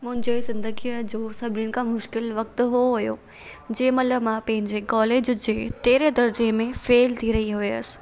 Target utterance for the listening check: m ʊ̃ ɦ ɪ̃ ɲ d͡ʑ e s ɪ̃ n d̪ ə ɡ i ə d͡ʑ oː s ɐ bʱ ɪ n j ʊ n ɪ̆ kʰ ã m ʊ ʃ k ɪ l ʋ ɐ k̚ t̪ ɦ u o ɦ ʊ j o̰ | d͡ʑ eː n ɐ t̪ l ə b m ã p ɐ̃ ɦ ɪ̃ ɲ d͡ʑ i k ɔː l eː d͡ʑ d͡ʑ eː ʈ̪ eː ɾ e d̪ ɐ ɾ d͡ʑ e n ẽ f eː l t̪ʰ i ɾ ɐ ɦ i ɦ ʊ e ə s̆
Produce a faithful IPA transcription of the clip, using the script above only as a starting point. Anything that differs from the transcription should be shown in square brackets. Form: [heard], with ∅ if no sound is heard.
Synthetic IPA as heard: m ʊ̃ ɦ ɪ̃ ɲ d͡ʑ e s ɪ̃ n d̪ ə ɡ i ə d͡ʑ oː s ɐ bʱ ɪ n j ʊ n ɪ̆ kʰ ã m ʊ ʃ k ɪ l ʋ ɐ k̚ t̪ ɦ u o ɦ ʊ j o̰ | d͡ʑ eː [m] ɐ t̪ l ə b m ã p ɐ̃ ɦ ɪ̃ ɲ d͡ʑ [e] k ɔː l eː d͡ʑ d͡ʑ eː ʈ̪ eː ɾ e d̪ ɐ ɾ d͡ʑ e [m] ẽ f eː l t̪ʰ i ɾ ɐ ɦ i ɦ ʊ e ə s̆